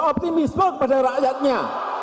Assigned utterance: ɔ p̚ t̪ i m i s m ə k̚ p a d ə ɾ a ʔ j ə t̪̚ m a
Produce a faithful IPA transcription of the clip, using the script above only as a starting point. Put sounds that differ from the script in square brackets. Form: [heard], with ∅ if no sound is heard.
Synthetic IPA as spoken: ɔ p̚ t̪ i m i s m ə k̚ p a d [a] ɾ a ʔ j [a] t̪̚ [ɲ] a